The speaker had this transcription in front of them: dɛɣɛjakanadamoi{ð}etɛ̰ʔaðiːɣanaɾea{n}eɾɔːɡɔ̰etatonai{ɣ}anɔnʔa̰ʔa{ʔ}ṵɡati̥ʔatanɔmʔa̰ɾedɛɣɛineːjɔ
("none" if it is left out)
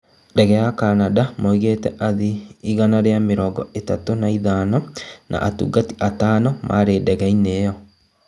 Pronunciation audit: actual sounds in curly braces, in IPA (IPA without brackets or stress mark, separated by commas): ɣ, m, ð, t